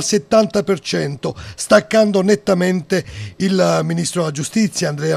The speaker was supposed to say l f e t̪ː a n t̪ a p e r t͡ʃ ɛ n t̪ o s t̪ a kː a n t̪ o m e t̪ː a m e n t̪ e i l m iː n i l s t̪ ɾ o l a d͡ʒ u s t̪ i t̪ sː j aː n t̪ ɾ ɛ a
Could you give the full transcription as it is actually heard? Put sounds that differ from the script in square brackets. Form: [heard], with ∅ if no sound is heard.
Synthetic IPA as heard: l [s] e t̪ː a n t̪ a p e r t͡ʃ ɛ n t̪ o s t̪ a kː a n [d̪] o [n] e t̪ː a m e n t̪ e i l m [i] n i [∅] s t̪ ɾ o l a d͡ʒ u s t̪ i t̪ sː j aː n [d̪] ɾ ɛ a